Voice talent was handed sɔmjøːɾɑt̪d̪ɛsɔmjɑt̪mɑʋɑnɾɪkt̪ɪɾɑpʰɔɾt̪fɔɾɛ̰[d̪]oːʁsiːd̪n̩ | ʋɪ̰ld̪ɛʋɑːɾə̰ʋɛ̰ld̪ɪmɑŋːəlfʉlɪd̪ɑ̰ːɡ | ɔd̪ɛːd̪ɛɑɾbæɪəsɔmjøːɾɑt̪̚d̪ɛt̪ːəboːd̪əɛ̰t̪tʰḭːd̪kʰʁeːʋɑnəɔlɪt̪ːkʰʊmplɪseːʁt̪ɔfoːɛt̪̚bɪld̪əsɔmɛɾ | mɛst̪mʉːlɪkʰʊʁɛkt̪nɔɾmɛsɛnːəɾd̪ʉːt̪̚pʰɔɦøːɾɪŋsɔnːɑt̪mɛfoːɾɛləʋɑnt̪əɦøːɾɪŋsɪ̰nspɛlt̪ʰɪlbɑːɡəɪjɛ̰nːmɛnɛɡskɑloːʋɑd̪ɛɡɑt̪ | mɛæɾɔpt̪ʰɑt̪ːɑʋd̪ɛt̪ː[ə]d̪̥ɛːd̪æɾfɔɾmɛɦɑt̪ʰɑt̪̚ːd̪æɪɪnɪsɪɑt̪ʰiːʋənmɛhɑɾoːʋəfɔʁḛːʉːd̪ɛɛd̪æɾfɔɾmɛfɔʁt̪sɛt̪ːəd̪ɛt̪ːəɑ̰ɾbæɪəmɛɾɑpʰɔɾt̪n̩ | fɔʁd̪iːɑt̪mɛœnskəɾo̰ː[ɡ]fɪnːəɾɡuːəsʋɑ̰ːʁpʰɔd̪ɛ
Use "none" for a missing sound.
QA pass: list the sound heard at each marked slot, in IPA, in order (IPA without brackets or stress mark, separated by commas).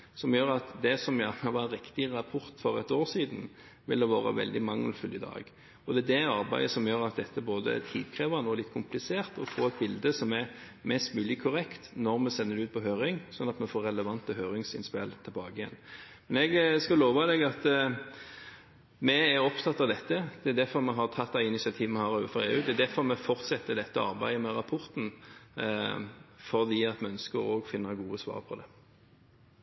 t̪, ə, ɡ